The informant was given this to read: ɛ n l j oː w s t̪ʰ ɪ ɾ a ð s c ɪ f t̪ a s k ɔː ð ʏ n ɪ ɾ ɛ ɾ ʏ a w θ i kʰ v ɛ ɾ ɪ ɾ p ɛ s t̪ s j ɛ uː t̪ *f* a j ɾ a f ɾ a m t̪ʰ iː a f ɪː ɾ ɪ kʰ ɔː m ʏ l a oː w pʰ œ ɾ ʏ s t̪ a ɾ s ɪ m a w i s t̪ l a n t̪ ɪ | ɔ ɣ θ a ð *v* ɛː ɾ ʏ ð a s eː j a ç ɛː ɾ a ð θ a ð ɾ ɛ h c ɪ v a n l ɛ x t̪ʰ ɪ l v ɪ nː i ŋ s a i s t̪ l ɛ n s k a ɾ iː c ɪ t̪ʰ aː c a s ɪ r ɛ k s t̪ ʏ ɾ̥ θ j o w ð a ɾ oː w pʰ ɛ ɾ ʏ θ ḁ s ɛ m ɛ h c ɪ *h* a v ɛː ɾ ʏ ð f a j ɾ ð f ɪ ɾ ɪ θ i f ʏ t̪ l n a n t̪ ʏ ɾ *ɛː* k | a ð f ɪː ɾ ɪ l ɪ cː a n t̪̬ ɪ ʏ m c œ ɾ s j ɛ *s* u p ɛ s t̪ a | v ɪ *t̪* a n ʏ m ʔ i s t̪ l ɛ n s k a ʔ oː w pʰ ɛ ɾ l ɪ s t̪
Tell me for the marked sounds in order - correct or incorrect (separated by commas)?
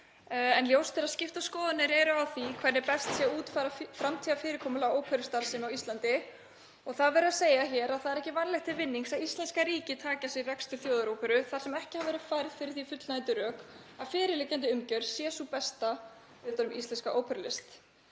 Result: correct, correct, correct, incorrect, correct, correct